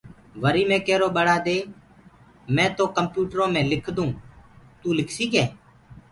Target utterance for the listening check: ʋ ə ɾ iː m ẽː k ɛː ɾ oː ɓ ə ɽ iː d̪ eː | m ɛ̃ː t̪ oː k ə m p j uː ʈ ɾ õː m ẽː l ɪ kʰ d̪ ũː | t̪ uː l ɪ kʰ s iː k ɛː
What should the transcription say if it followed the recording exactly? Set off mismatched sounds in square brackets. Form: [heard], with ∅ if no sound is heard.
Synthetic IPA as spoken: ʋ ə ɾ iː m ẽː k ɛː ɾ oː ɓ ə ɽ [aː] d̪ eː | m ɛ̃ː t̪ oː k ə m p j uː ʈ ɾ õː m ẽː l ɪ kʰ d̪ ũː | t̪ uː l ɪ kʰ s iː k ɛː